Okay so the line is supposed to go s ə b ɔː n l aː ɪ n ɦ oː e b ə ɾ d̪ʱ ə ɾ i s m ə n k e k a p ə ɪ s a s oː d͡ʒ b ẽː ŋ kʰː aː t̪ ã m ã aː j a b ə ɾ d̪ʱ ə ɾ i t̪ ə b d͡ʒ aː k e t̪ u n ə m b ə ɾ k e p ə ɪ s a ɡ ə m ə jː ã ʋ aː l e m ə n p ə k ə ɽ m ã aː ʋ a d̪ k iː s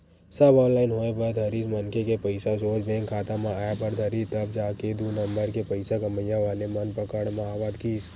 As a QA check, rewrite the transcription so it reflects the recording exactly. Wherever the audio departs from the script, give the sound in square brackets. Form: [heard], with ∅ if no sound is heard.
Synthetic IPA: s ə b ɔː n l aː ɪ n ɦ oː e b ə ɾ d̪ʱ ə ɾ i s m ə n k e k [e] p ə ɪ s a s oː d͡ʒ b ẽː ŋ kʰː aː t̪ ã m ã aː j a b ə ɾ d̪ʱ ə ɾ i t̪ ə b d͡ʒ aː k e [d̪] u n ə m b ə ɾ k e p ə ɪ s a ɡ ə m ə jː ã ʋ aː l e m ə n p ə k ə ɽ m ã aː ʋ a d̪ k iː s

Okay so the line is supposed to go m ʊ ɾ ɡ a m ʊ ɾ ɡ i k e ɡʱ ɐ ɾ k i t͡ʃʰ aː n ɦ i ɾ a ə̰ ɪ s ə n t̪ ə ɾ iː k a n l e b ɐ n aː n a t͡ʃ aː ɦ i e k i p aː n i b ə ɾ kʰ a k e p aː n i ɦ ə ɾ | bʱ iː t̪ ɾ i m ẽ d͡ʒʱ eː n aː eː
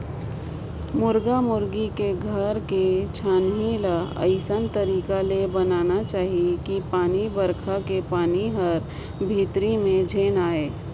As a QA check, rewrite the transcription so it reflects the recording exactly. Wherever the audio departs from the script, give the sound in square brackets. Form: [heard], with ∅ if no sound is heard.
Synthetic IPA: m ʊ ɾ ɡ a m ʊ ɾ ɡ i k e ɡʱ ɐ ɾ k [e] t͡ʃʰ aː n ɦ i [l] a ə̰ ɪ s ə n t̪ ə ɾ iː k a [∅] l e b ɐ n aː n a t͡ʃ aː ɦ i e k i p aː n i b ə ɾ kʰ a k e p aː n i ɦ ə ɾ | bʱ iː t̪ ɾ i m ẽ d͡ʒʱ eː n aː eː

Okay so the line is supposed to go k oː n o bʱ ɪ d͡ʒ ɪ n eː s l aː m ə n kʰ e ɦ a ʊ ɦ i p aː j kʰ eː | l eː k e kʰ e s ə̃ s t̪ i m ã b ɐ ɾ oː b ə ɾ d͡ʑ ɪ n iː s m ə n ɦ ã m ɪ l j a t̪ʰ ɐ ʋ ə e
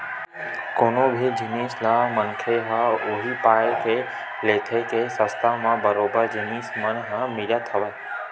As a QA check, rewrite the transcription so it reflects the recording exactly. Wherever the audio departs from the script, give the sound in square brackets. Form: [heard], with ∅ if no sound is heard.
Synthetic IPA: k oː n o bʱ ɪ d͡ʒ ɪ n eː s l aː m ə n kʰ e ɦ a ʊ ɦ i p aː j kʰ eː | l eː [kʰ] e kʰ e s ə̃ s t̪ [a] m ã b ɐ ɾ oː b ə ɾ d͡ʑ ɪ n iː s m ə n ɦ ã m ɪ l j a t̪ʰ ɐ ʋ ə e

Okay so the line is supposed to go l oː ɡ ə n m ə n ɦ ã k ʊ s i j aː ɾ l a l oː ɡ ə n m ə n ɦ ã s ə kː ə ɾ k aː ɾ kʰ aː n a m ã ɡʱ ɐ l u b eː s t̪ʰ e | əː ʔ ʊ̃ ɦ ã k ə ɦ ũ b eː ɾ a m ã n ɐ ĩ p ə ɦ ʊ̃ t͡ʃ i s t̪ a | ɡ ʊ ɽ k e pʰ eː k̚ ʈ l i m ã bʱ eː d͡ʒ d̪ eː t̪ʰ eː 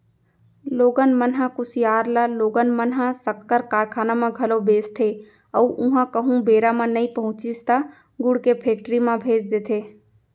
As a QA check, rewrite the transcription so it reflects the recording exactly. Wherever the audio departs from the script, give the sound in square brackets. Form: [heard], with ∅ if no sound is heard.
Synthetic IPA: l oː ɡ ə n m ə n ɦ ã k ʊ s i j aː ɾ l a l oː ɡ ə n m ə n ɦ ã s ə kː ə ɾ k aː ɾ kʰ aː n a m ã ɡʱ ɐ l [o] b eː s t̪ʰ e | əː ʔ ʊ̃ ɦ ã k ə ɦ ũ b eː ɾ a m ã n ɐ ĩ p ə ɦ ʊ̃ t͡ʃ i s t̪ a | ɡ ʊ ɽ k e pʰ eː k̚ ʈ [ɾ] i m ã bʱ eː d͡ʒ d̪ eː t̪ʰ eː

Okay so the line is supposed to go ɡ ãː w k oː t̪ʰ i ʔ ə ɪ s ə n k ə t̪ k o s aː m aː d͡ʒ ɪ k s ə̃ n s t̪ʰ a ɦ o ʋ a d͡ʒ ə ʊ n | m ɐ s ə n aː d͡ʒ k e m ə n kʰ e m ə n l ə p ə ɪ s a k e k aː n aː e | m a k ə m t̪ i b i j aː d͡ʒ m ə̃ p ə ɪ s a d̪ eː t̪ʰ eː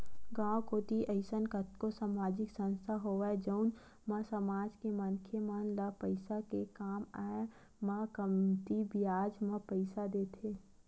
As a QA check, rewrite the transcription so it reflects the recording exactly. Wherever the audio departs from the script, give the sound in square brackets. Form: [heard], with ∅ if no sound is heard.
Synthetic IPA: ɡ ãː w k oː [t̪] i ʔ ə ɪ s ə n k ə t̪ k o s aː m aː d͡ʒ ɪ k s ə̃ n s t̪ʰ a ɦ o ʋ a d͡ʒ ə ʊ n | m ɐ s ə [m] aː d͡ʒ k e m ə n kʰ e m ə n l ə p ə ɪ s a k e k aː [m] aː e | m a k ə m t̪ i b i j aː d͡ʒ m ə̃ p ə ɪ s a d̪ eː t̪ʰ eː

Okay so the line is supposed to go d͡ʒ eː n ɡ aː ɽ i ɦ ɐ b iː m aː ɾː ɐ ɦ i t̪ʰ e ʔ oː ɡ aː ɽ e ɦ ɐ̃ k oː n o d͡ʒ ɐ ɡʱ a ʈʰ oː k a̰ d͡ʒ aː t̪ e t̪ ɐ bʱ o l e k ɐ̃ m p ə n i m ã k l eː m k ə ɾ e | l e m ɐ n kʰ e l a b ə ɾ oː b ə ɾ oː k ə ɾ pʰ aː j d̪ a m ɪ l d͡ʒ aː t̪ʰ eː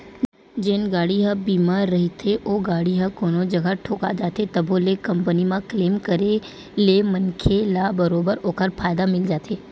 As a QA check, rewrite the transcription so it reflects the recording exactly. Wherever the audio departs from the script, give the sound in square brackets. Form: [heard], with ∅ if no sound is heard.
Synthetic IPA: d͡ʒ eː n ɡ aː ɽ i ɦ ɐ b iː m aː ɾː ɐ ɦ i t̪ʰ e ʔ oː ɡ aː ɽ [i] ɦ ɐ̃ k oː n o d͡ʒ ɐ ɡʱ a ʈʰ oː k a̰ d͡ʒ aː t̪ e t̪ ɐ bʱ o l e k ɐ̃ m p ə n i m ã k l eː m k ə ɾ e | l e m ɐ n kʰ e l a b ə ɾ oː b ə ɾ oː k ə ɾ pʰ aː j d̪ a m ɪ l d͡ʒ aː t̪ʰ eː

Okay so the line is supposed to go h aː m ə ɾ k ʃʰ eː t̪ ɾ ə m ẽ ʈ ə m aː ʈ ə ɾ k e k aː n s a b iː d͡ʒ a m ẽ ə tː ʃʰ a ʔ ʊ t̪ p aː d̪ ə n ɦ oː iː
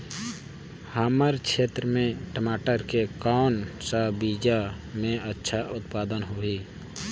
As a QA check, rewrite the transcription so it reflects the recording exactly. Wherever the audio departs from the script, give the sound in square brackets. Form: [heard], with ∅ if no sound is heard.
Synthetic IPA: h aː m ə ɾ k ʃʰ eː t̪ ɾ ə m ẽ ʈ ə m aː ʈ ə ɾ k e k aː n s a b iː d͡ʒ a m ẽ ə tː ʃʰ a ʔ ʊ t̪ p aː d̪ ə n ɦ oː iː

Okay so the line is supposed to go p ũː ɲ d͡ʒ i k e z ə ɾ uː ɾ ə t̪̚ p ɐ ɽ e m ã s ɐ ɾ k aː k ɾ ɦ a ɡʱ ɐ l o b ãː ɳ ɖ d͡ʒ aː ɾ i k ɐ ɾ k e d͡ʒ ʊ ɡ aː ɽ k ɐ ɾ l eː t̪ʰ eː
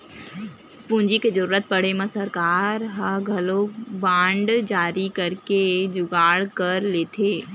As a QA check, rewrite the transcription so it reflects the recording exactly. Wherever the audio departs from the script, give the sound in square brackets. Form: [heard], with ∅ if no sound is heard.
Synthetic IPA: p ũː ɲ d͡ʒ i k e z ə ɾ uː ɾ ə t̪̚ p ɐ ɽ e m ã s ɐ ɾ k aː [∅] ɾ ɦ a ɡʱ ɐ l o b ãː ɳ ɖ d͡ʒ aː ɾ i k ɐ ɾ k e d͡ʒ ʊ ɡ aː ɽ k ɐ ɾ l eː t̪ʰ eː

